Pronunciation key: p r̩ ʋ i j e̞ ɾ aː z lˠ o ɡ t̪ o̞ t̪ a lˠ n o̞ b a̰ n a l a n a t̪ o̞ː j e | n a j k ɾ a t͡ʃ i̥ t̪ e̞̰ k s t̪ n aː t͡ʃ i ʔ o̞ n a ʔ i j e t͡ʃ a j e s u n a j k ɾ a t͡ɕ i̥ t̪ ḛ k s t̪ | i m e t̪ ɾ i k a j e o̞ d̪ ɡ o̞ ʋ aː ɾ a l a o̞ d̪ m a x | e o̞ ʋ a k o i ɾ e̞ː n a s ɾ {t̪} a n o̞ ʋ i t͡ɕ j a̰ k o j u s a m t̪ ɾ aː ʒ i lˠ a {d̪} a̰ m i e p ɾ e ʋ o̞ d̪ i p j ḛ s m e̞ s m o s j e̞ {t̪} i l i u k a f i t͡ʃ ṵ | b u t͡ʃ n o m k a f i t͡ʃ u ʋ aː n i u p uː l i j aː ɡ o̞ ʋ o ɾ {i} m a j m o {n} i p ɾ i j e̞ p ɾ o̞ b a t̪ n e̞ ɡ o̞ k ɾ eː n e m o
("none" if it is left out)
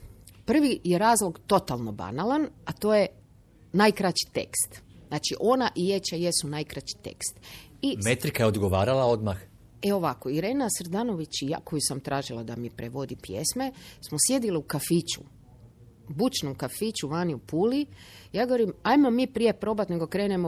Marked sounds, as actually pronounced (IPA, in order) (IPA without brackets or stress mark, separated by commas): d̪, d̪, d̪, i, m